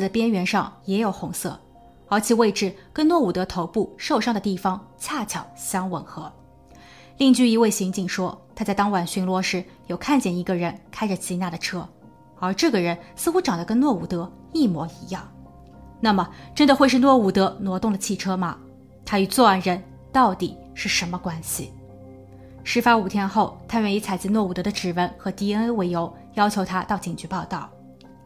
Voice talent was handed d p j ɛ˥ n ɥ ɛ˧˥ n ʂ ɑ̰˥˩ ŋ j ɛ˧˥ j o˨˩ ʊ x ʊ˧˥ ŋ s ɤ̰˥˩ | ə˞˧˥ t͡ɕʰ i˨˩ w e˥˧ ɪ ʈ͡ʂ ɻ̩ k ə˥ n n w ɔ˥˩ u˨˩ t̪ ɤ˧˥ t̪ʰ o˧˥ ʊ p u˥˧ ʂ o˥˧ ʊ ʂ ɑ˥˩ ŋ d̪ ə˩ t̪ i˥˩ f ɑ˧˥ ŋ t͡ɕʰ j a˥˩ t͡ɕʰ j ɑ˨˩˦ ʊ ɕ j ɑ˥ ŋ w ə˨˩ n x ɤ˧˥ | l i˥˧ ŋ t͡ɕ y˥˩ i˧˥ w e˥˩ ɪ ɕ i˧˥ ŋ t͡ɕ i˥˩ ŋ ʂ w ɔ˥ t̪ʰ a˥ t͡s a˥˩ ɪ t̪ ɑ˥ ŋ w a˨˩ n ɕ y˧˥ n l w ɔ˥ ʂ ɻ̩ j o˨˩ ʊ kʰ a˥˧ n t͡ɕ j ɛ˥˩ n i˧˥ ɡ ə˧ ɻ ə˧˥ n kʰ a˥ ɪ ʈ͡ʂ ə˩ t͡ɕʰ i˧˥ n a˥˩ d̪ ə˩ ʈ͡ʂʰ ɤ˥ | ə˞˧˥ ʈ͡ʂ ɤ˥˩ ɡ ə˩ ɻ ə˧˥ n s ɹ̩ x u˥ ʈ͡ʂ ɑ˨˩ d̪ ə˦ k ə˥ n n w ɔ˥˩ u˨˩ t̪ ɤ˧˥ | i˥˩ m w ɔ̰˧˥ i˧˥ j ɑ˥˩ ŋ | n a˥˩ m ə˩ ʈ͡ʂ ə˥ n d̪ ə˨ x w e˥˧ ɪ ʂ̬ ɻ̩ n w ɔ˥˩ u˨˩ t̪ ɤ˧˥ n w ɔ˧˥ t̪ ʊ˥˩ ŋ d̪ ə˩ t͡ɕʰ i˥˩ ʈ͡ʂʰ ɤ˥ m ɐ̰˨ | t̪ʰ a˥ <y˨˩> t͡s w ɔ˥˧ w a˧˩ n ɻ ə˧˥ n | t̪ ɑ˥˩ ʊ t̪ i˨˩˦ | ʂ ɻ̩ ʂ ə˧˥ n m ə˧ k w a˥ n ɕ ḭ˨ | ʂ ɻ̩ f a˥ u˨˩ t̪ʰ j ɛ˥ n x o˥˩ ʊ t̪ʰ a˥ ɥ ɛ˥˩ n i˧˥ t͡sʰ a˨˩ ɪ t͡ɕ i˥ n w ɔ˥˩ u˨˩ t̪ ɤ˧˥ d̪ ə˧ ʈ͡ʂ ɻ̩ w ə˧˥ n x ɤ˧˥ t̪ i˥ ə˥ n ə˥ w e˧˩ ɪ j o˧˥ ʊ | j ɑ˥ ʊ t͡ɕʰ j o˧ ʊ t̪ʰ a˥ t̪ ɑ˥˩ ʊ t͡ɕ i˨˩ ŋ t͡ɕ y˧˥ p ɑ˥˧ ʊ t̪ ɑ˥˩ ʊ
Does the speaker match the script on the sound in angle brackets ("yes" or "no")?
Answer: yes